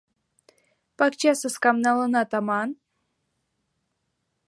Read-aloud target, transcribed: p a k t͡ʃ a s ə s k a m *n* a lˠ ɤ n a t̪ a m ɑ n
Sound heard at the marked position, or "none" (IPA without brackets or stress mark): n